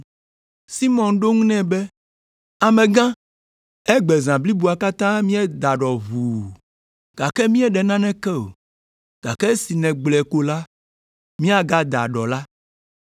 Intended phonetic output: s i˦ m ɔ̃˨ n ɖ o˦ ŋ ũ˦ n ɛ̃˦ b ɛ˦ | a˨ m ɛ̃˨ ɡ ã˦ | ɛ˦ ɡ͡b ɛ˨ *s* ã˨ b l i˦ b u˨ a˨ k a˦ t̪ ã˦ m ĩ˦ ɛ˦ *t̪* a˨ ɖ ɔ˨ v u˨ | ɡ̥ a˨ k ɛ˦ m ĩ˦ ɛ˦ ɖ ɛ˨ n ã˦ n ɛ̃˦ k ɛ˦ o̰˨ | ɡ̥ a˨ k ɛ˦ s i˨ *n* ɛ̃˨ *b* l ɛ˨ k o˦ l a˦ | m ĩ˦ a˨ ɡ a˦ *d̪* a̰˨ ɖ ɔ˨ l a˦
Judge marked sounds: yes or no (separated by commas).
no, no, yes, no, yes